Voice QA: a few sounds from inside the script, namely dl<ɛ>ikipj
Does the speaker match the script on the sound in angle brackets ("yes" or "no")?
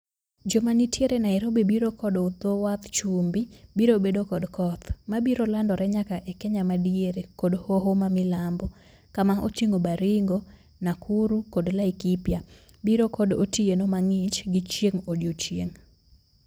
no